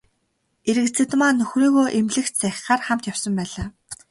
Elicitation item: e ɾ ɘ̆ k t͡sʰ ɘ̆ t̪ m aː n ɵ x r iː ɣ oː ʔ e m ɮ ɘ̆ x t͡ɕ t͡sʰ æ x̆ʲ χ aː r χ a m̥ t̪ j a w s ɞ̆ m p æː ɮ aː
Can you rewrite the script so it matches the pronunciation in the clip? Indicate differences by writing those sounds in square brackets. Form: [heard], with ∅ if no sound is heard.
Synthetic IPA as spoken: e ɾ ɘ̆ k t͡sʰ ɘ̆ t̪ m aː n ɵ x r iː ɣ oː ʔ e m ɮ ɘ̆ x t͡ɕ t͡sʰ æ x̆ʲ χ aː r χ a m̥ t̪ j a w s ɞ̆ m p æː ɮ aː